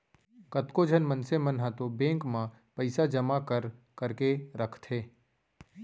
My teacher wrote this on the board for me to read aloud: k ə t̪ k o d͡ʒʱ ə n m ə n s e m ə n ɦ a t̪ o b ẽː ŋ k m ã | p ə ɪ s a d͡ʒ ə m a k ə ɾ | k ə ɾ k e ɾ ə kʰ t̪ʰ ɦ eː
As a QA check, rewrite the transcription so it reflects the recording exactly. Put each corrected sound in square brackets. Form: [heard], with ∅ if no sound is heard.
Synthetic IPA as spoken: k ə t̪ k o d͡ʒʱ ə n m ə n s e m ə n ɦ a t̪ o b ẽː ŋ k m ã | p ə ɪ s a d͡ʒ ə m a k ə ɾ | k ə ɾ k e ɾ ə kʰ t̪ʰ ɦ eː